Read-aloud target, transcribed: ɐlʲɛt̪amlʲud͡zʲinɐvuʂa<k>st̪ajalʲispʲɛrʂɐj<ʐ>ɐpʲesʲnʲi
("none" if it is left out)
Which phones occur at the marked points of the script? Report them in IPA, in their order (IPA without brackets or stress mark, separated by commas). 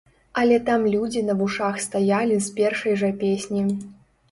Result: x, ʐ